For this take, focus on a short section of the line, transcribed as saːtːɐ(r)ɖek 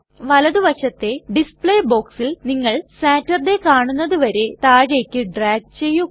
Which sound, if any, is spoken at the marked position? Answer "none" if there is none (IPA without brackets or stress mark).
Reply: r